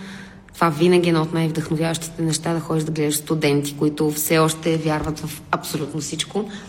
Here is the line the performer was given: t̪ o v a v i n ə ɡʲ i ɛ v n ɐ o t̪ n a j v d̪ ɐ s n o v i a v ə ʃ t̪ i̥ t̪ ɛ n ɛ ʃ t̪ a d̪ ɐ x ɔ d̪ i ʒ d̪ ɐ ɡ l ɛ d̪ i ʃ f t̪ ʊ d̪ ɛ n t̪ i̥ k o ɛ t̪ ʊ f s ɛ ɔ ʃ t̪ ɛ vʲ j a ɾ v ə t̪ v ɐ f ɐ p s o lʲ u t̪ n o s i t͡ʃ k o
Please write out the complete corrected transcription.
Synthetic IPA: t̪ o v a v i n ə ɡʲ i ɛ n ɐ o t̪ n a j v d̪ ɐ x n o v j a v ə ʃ t̪ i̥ t̪ ɛ n ɛ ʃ t̪ a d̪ ɐ x ɔ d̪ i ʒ d̪ ɐ ɡ l ɛ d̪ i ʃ s t̪ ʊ d̪ ɛ n t̪ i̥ k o i t̪ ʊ f s ɛ ɔ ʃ t̪ ɛ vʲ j a ɾ v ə t̪ v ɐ f ɐ p s o lʲ u t̪ n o s i t͡ʃ k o